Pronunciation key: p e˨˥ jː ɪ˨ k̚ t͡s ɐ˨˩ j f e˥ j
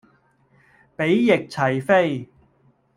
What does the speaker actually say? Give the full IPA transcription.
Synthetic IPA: p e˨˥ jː ɪ˨ k̚ t͡sʰ ɐ˨˩ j f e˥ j